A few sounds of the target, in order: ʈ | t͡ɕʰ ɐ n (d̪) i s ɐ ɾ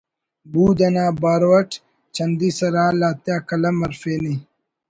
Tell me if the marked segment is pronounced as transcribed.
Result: yes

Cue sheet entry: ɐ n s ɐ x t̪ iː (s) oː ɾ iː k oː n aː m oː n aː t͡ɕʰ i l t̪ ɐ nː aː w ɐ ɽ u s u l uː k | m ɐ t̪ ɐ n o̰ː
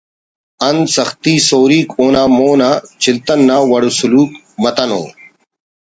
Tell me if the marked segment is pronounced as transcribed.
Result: yes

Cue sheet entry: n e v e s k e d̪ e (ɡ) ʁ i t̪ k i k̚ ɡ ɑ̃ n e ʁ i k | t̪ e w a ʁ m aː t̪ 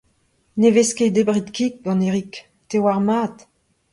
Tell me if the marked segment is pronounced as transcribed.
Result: no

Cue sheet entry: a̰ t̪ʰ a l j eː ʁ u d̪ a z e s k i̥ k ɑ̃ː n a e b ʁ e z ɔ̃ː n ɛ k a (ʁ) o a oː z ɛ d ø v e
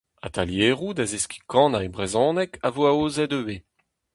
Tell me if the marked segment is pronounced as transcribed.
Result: no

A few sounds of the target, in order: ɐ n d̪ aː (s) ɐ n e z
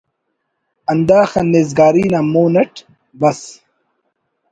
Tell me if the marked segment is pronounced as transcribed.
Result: no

